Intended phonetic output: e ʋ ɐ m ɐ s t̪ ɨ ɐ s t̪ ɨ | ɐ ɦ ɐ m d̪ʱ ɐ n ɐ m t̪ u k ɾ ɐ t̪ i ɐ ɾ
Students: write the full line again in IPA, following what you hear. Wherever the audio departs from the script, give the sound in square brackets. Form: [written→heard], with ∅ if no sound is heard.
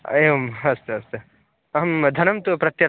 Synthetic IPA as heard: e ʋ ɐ m ɐ s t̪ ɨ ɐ s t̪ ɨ | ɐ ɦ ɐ m d̪ʱ ɐ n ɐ m t̪ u [k→p] ɾ ɐ t̪ [i→j] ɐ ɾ